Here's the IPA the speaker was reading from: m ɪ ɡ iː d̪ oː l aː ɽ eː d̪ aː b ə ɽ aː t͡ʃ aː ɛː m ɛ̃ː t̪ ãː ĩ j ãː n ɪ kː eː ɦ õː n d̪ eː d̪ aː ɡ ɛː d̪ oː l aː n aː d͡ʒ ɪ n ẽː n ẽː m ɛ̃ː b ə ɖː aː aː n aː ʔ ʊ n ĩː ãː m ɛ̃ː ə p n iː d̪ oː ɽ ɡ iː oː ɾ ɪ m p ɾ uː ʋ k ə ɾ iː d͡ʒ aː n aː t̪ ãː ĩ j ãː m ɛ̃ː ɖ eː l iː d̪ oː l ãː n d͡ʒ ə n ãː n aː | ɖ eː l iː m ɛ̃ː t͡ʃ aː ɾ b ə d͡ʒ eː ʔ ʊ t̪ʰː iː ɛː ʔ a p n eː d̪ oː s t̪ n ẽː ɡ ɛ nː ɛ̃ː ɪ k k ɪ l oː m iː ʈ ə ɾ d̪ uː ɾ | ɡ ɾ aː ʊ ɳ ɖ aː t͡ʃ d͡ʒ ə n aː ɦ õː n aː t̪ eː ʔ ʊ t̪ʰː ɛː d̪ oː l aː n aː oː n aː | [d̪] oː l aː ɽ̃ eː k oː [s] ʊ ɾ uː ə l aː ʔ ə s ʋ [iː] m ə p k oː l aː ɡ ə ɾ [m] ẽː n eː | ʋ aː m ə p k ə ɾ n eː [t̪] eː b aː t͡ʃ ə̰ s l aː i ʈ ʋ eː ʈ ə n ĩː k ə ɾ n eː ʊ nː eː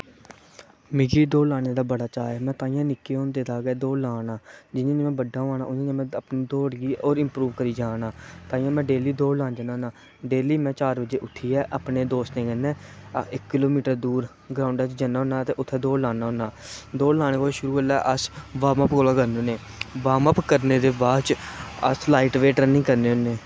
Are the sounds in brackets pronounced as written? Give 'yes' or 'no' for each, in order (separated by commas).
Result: yes, no, no, no, no